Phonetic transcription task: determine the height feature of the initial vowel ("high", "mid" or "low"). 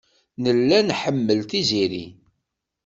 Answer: mid